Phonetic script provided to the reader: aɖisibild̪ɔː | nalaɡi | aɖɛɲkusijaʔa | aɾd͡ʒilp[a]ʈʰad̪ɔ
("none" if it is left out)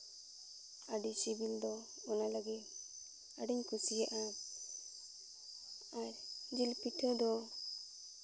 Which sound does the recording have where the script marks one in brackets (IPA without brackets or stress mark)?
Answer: i